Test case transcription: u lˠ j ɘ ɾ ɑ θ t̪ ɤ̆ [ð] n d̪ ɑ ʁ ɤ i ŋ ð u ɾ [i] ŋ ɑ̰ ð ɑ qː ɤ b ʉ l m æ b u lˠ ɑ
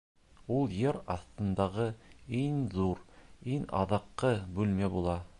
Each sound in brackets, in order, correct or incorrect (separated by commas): incorrect, correct